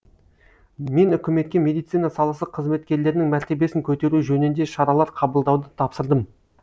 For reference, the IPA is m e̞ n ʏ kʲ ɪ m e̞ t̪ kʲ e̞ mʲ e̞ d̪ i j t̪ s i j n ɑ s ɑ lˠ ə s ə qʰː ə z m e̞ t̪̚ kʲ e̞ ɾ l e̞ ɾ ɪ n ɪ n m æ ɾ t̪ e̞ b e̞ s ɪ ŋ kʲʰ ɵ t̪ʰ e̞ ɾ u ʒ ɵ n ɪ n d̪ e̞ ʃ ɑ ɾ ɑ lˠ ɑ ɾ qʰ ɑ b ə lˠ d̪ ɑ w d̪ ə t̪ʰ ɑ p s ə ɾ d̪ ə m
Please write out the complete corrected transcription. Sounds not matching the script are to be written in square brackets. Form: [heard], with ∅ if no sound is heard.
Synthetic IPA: m e̞ n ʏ kʲ ɪ m e̞ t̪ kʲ e̞ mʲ e̞ d̪ i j t̪ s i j n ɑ s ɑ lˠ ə s ə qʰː ə z m e̞ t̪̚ kʲ e̞ ɾ l e̞ ɾ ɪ n ɪ [ŋ] m æ ɾ t̪ e̞ b e̞ s ɪ ŋ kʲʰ ɵ [t̪] e̞ ɾ u ʒ ɵ n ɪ n d̪ e̞ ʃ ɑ ɾ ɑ lˠ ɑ ɾ qʰ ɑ b ə lˠ d̪ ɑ w d̪ ə t̪ʰ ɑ p s ə ɾ d̪ ə m